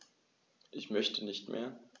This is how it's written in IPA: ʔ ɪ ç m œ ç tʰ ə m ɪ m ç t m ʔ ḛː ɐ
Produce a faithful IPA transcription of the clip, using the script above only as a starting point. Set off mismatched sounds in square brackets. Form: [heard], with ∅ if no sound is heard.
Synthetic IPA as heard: ʔ ɪ ç m œ ç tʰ ə [n] ɪ [∅] ç t m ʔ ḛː ɐ